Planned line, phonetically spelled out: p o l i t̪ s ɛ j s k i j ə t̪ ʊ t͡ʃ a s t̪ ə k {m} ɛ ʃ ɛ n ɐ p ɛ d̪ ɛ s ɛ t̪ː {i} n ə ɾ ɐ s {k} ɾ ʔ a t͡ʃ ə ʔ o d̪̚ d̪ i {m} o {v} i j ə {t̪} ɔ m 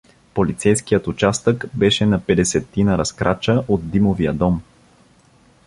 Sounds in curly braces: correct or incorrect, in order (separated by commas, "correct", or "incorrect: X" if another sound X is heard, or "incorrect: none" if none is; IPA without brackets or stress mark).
incorrect: b, correct, correct, correct, correct, incorrect: d̪